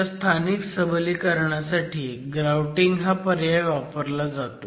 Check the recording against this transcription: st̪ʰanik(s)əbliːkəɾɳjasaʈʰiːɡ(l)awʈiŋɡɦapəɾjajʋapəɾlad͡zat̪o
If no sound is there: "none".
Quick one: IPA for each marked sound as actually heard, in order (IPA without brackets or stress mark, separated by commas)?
s, ɾ